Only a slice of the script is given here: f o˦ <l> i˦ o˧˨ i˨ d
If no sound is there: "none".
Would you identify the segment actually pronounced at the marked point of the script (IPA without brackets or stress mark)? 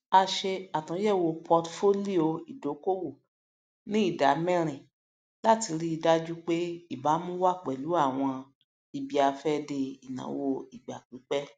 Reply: l